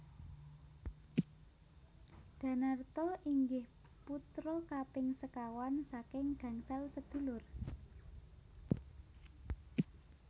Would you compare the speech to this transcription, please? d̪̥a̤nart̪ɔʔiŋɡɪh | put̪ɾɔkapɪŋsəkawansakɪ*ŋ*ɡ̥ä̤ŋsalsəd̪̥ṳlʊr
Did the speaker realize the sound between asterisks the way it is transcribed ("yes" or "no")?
yes